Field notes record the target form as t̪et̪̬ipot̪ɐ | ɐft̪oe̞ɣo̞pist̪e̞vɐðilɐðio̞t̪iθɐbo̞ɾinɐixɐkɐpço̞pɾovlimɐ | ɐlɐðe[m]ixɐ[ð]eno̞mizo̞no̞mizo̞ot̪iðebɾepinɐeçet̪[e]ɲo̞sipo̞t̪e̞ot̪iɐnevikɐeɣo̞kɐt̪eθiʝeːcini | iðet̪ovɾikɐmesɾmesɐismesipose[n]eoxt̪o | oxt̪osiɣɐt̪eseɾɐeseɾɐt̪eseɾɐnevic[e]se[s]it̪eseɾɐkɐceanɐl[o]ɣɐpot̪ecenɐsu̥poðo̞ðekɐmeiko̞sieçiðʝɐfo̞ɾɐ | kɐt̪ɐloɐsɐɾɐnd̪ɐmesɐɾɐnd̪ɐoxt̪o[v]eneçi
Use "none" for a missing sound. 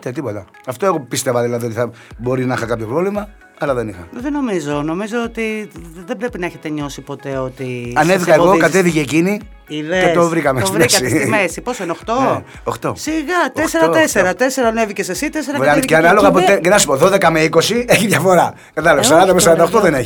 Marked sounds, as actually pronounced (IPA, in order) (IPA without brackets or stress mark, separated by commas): n, ð, e, n, e, s, o, ð